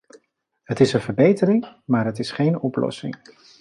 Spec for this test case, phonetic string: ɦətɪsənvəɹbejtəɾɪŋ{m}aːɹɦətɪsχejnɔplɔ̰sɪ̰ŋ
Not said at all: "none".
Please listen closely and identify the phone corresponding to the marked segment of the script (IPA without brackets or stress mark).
m